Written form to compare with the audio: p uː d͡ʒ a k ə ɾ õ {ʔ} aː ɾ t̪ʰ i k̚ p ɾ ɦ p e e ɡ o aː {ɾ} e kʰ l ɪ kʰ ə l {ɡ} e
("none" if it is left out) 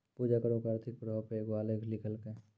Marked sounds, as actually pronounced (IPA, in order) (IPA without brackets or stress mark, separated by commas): k, l, k